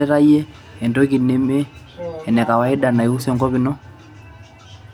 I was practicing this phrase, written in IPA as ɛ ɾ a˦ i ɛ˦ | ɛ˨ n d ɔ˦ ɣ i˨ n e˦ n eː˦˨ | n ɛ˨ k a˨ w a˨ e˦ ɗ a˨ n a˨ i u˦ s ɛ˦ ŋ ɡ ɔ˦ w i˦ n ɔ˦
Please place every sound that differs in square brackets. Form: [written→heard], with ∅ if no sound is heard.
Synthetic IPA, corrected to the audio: ɛ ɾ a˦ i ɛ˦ | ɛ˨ n d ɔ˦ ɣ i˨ n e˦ [n→m] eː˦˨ | n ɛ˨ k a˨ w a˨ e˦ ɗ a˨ n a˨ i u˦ s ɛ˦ ŋ ɡ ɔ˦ [w→β] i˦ n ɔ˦